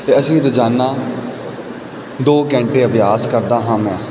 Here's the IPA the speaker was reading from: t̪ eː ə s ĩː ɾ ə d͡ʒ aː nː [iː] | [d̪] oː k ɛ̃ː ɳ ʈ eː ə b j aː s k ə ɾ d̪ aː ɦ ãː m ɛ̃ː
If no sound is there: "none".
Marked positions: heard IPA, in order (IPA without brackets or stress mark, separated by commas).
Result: aː, d̪